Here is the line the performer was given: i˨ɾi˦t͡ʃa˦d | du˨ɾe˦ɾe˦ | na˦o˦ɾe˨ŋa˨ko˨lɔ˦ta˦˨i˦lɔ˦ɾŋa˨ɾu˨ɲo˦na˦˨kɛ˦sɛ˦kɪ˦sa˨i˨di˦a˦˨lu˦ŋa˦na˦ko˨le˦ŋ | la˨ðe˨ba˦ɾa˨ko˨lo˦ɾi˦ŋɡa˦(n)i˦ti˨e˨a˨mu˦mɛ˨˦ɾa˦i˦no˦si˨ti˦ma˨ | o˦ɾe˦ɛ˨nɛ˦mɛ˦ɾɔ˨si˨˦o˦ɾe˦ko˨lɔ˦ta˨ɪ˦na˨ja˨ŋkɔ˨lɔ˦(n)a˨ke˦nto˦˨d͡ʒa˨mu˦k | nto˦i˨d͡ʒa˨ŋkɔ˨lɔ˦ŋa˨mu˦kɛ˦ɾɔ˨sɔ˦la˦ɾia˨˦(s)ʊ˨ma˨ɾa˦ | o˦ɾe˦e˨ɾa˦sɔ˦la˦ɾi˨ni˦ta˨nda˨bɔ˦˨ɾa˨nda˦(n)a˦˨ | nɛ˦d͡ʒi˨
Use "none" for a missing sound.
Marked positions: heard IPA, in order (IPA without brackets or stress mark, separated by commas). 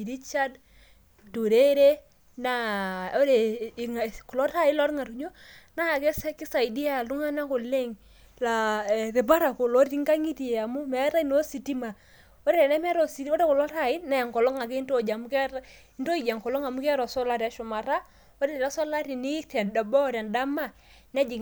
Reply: ŋ, ŋ, ʃ, m